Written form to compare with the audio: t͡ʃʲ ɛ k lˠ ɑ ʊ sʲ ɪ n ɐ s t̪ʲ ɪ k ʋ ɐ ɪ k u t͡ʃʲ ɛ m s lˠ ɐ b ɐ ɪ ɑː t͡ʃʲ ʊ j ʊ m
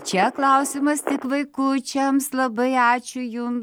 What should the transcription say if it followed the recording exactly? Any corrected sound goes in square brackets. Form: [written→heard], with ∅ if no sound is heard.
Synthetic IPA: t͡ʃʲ ɛ k lˠ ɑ ʊ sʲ ɪ [n→m] ɐ s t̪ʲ ɪ k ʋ ɐ ɪ k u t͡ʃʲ ɛ m s lˠ ɐ b ɐ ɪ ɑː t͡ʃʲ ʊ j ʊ m

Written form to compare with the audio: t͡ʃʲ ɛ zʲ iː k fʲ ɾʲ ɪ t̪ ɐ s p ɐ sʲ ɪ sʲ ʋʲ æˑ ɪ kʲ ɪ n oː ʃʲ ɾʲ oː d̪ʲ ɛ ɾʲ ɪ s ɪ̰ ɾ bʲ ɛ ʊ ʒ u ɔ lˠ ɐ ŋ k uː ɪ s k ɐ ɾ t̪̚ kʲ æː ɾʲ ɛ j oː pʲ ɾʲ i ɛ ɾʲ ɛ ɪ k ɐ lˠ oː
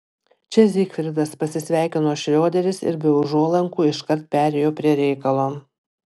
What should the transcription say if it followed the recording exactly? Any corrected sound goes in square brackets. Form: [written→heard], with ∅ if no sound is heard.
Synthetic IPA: t͡ʃʲ ɛ zʲ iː k fʲ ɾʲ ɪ [t̪→d̪] ɐ s p ɐ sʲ ɪ sʲ ʋʲ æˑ ɪ kʲ ɪ n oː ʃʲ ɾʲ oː d̪ʲ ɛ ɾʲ ɪ s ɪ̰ ɾ bʲ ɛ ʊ ʒ u ɔ lˠ ɐ ŋ k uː ɪ [s→ʃ] k ɐ ɾ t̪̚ [kʲ→pʲ] æː ɾʲ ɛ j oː pʲ ɾʲ i ɛ ɾʲ ɛ ɪ k ɐ lˠ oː

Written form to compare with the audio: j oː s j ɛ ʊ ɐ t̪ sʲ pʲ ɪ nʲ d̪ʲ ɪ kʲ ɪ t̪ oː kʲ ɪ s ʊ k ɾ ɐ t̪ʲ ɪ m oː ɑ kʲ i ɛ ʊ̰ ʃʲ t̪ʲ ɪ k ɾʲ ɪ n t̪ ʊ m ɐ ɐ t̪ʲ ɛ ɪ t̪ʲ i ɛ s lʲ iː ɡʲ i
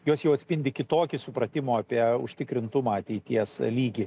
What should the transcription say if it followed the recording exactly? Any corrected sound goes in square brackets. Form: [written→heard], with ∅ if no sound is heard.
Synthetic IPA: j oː s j ɛ ʊ ɐ t̪ sʲ pʲ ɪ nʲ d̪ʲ ɪ kʲ ɪ t̪ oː kʲ ɪ s ʊ [k→p] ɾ ɐ t̪ʲ ɪ m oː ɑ [kʲ→pʲ] i ɛ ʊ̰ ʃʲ t̪ʲ ɪ k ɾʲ ɪ n t̪ ʊ m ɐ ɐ t̪ʲ ɛ ɪ t̪ʲ i ɛ s lʲ iː ɡʲ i

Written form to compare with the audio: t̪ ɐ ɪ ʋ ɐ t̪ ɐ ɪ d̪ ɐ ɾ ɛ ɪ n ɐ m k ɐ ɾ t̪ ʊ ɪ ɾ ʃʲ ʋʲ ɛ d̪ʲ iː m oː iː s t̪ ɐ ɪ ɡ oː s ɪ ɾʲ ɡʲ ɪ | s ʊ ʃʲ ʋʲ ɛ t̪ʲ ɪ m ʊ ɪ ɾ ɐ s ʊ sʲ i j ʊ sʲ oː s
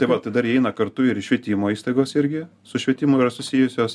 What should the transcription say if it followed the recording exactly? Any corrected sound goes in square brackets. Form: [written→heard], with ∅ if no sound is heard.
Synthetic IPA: t̪ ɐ ɪ ʋ ɐ t̪ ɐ ɪ d̪ ɐ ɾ ɛ ɪ n ɐ [m→∅] k ɐ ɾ t̪ ʊ ɪ ɾ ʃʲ ʋʲ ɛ [d̪ʲ→t̪ʲ] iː m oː iː s t̪ ɐ ɪ ɡ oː s ɪ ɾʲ ɡʲ ɪ | s ʊ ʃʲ ʋʲ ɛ t̪ʲ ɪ m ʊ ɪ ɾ ɐ s ʊ sʲ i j ʊ sʲ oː s

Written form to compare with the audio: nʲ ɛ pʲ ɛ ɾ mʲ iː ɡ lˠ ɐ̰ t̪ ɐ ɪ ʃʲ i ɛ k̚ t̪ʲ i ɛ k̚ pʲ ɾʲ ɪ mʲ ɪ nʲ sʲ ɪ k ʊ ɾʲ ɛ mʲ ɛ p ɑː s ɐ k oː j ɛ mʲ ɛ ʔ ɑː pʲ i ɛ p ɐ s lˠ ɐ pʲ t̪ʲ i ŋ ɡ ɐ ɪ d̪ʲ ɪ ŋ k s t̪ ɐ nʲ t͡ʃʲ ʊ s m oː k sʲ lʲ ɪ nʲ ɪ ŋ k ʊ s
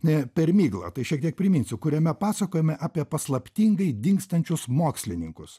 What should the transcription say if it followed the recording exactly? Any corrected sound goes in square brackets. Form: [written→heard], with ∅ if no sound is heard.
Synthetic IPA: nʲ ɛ pʲ ɛ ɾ mʲ iː ɡ lˠ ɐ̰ t̪ ɐ ɪ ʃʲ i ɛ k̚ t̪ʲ i ɛ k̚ pʲ ɾʲ ɪ mʲ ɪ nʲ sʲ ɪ k ʊ ɾʲ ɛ mʲ ɛ p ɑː s ɐ k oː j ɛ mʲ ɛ ʔ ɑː pʲ i ɛ p ɐ s lˠ ɐ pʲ t̪ʲ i ŋ ɡ ɐ ɪ d̪ʲ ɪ ŋ k s t̪ ɐ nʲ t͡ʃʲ ʊ s m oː k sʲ lʲ ɪ nʲ ɪ ŋ k ʊ s

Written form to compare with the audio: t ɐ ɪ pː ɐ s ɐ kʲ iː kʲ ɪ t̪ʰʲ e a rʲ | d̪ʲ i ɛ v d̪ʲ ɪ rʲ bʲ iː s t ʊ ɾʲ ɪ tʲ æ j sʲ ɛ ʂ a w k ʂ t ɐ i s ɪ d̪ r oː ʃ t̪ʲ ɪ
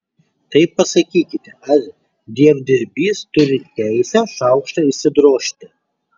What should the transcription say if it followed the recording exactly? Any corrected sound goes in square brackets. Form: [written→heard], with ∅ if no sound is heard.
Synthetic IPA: t ɐ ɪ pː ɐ s ɐ kʲ iː kʲ ɪ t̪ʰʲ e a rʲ | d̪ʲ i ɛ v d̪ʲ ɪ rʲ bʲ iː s t ʊ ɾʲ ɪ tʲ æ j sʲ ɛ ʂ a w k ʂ t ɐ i s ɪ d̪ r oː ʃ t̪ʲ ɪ

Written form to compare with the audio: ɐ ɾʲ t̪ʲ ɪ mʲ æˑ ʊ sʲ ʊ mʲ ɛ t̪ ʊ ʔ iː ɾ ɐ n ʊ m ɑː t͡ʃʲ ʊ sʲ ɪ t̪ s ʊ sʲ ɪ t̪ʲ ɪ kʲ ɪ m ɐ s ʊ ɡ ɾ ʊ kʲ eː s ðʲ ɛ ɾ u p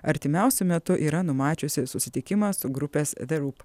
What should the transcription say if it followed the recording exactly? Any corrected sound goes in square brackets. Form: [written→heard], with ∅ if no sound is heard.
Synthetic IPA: ɐ ɾʲ t̪ʲ ɪ mʲ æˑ ʊ sʲ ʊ mʲ ɛ t̪ ʊ ʔ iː ɾ ɐ n ʊ m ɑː t͡ʃʲ ʊ sʲ ɪ [t̪→∅] s ʊ sʲ ɪ t̪ʲ ɪ kʲ ɪ m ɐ s ʊ ɡ ɾ ʊ [kʲ→pʲ] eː s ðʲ ɛ ɾ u p

